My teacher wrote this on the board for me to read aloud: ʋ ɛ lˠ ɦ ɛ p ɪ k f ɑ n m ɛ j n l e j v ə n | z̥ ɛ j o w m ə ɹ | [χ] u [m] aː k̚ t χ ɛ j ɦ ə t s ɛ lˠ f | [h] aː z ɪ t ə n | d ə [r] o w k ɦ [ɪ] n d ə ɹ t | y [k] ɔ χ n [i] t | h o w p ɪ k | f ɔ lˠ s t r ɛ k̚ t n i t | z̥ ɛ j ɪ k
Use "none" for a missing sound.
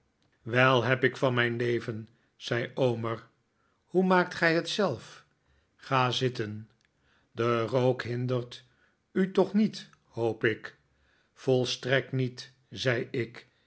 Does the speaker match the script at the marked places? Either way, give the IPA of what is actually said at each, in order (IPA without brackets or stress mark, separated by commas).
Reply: h, m, χ, r, ɪ, t, i